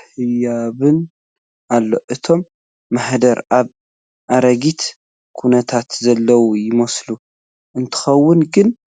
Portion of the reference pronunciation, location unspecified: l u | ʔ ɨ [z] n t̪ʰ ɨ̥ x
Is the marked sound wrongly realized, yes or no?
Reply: yes